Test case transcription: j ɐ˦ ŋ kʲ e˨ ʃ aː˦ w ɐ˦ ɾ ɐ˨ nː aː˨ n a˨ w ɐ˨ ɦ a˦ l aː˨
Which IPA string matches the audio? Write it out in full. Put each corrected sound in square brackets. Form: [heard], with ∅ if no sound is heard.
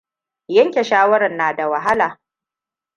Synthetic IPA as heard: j ɐ˦ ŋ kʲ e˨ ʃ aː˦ w ɐ˦ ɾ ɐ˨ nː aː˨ [d] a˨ w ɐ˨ ɦ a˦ l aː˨